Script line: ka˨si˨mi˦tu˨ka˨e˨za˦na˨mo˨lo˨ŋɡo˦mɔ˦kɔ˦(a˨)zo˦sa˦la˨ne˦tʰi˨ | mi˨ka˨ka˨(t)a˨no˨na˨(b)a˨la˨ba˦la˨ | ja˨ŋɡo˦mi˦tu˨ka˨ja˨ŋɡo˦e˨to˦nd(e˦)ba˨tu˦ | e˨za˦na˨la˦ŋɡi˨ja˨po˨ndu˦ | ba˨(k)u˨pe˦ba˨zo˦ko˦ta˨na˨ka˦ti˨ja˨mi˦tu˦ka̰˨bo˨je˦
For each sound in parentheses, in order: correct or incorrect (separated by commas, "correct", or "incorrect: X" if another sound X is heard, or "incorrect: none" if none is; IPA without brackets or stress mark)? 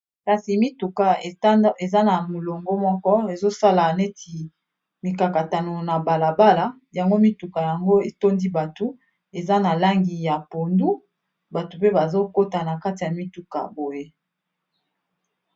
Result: incorrect: e˨, correct, correct, incorrect: i˦, incorrect: t